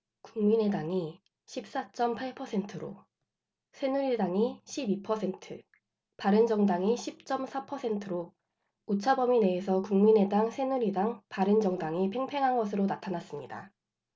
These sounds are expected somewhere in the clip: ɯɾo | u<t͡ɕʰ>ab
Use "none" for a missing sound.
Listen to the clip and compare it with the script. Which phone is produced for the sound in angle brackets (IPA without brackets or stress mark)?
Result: t͡ɕʰ